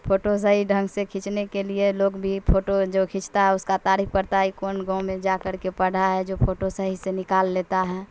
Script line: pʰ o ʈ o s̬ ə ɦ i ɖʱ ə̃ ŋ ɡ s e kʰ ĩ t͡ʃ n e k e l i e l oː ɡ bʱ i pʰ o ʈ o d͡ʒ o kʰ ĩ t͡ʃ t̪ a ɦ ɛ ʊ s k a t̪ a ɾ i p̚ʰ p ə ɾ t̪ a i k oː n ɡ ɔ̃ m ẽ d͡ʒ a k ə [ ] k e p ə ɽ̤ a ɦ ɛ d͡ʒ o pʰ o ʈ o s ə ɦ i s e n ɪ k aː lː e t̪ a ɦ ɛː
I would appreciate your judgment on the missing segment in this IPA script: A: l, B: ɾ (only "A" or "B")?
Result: B